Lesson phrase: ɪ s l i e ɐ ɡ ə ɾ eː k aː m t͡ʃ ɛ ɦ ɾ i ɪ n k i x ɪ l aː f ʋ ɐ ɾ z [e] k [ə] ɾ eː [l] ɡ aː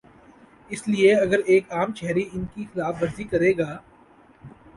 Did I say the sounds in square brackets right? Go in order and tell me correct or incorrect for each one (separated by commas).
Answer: incorrect, incorrect, incorrect